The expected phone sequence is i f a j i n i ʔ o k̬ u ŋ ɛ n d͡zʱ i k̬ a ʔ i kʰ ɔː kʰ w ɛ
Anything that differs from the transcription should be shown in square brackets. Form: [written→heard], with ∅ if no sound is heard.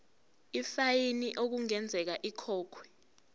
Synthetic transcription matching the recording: i f a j i n i ʔ o k̬ u ŋ ɛ n d͡zʱ [i→ɛ] k̬ a ʔ i kʰ ɔː kʰ w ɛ